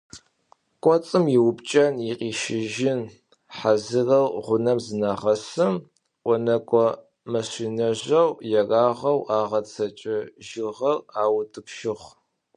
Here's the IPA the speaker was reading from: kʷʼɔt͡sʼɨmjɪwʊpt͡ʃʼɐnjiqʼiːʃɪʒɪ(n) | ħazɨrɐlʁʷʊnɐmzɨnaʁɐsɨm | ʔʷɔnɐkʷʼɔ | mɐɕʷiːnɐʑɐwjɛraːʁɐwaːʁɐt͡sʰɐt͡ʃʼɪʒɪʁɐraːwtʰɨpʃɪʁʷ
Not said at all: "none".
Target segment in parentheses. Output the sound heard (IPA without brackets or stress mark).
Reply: n